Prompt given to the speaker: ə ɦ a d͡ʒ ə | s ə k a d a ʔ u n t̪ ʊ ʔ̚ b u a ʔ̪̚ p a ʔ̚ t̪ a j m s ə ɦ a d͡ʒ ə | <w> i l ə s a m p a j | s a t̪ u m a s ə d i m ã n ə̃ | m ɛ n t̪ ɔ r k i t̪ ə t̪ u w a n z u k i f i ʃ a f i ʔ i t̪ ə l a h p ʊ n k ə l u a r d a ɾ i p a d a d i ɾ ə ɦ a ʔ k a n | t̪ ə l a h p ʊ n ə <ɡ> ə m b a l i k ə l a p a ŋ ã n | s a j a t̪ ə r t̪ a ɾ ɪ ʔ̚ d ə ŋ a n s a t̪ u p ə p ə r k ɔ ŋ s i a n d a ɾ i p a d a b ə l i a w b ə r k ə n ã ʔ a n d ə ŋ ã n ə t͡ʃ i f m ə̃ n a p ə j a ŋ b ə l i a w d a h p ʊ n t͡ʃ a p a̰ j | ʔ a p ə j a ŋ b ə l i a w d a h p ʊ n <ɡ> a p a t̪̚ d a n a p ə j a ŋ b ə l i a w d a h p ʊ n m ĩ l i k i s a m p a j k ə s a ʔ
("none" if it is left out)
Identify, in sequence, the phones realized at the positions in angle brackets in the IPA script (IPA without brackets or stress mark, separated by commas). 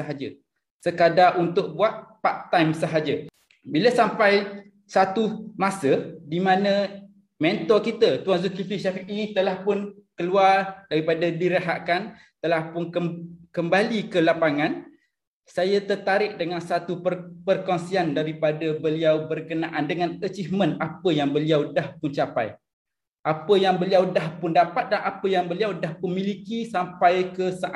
b, k, d